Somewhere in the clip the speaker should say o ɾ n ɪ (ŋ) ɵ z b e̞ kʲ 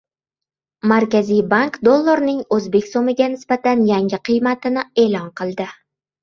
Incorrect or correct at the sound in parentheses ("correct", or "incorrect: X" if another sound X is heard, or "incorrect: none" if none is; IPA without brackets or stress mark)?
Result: correct